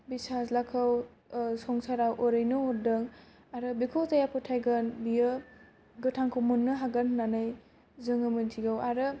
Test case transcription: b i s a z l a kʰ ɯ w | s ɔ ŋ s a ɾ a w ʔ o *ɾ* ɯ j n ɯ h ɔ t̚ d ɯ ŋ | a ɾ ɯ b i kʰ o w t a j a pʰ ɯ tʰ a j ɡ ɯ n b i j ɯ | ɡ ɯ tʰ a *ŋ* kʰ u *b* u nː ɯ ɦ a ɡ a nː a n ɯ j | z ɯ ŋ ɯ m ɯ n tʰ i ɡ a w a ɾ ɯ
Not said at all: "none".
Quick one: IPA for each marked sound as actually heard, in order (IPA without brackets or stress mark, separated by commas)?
ɾ, ŋ, m